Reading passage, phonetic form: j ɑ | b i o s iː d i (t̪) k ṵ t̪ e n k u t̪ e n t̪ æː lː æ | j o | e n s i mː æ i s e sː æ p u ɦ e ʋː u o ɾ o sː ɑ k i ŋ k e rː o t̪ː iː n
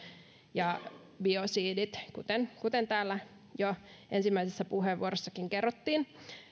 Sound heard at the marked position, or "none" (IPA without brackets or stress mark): t̪